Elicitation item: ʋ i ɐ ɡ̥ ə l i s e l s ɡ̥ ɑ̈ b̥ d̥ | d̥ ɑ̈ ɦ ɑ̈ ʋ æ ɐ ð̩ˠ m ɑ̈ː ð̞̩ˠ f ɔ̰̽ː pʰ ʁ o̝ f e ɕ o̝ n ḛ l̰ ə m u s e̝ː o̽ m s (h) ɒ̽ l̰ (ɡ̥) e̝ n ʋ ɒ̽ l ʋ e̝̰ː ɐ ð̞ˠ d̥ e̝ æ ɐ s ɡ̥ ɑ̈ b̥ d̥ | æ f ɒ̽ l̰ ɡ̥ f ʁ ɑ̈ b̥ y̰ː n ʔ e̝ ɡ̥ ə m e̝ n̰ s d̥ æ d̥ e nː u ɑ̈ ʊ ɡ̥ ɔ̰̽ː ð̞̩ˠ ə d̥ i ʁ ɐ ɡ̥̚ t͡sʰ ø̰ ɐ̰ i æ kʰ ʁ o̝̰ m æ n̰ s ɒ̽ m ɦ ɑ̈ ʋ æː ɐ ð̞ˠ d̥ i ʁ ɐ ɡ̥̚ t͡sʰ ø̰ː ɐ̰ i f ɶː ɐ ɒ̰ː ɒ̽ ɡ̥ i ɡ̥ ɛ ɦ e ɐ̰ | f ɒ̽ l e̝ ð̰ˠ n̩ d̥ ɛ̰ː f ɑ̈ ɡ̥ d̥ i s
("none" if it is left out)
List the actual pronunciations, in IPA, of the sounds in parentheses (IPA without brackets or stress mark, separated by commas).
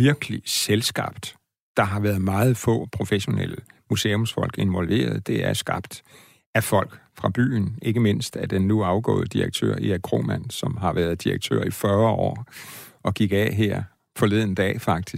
f, ɡ̥